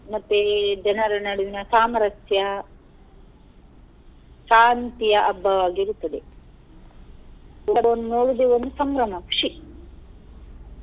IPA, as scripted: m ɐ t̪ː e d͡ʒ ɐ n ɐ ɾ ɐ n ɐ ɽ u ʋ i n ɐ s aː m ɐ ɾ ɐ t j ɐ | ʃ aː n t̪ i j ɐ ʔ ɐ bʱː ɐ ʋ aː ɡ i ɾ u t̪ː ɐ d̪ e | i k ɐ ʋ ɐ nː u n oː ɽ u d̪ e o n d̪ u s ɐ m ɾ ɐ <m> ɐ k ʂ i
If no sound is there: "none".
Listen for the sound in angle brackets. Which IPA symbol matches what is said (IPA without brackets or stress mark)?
m